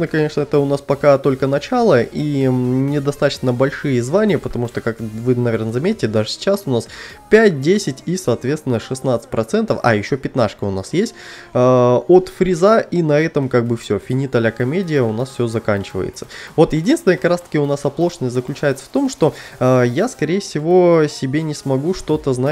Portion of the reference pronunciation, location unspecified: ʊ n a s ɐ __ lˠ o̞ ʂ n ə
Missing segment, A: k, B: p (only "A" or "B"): B